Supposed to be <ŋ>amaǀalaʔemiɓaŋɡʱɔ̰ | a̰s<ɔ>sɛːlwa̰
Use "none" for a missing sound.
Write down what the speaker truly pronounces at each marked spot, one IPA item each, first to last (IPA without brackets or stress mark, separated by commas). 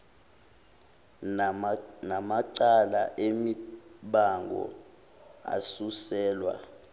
n, u